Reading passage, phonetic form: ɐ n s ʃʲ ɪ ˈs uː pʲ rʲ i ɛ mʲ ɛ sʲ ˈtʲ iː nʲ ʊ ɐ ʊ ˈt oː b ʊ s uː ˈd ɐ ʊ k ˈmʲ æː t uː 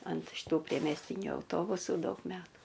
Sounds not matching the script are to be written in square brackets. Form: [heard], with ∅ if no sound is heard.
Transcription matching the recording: ɐ n [t] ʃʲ ɪ [ˈt] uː pʲ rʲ i ɛ mʲ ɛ sʲ ˈtʲ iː nʲ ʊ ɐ ʊ ˈt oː b ʊ s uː ˈd ɐ ʊ k ˈmʲ æː t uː